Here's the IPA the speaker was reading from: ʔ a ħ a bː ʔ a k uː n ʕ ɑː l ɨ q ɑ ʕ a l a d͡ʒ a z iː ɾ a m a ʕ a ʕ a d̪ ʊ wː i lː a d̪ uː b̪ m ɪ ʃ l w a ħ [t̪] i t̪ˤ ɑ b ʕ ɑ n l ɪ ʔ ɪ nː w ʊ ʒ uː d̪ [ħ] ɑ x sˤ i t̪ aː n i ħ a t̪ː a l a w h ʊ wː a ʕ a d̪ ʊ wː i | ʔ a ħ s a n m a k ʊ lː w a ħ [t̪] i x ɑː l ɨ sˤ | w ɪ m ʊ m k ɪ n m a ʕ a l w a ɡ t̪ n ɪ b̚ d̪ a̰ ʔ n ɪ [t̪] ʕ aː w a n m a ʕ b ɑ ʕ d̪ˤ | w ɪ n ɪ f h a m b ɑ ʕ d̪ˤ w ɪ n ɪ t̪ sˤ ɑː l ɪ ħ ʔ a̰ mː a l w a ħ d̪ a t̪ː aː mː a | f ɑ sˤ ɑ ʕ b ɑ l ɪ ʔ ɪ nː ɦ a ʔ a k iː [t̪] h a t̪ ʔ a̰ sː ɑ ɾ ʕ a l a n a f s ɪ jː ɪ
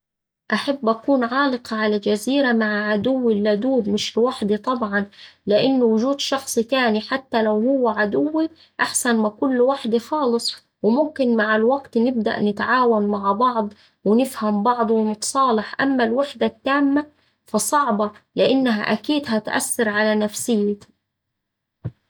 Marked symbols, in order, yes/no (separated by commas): no, no, no, yes, no